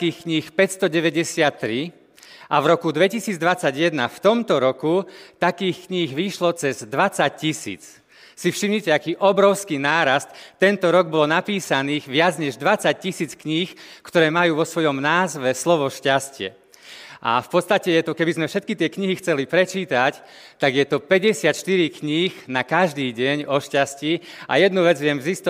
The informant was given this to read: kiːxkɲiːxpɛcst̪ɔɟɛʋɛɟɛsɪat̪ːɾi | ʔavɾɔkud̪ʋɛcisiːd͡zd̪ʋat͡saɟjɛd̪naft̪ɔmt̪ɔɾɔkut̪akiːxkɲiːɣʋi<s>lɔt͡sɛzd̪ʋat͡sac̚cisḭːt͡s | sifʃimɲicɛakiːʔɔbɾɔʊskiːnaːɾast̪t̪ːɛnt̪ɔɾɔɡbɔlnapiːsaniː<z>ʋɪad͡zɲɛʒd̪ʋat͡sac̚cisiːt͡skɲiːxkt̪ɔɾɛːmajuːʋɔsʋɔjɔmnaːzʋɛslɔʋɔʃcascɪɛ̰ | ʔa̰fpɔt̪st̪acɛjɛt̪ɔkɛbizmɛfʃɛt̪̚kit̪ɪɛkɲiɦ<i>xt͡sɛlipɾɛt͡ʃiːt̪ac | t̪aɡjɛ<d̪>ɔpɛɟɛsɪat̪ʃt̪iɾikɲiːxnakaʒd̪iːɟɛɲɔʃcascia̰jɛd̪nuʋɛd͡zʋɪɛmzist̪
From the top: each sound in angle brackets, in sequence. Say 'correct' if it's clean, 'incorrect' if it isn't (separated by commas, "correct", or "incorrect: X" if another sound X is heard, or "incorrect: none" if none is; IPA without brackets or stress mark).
incorrect: ʃ, incorrect: ɣ, correct, incorrect: t̪